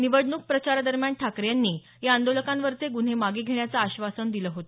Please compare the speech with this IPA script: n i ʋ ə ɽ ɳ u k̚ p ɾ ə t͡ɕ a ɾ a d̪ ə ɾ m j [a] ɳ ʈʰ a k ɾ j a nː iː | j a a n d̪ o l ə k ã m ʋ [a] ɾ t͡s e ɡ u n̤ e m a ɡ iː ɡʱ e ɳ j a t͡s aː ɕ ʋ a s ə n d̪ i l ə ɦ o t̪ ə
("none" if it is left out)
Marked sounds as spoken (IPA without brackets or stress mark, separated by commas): a, ə